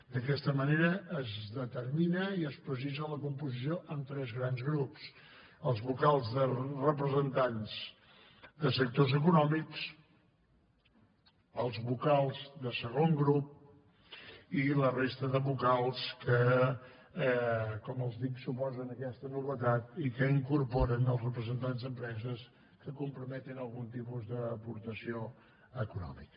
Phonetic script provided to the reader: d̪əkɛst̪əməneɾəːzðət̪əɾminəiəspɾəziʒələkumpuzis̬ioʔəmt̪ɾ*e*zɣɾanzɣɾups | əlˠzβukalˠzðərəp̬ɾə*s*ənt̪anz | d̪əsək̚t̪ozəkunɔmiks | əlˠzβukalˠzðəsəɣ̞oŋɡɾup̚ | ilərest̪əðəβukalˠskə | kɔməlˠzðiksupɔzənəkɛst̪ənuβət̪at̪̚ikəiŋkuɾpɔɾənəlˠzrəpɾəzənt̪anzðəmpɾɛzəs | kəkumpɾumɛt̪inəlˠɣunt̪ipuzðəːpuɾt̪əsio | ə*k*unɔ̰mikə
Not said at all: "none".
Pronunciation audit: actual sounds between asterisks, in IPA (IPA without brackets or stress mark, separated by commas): ɛ, z, k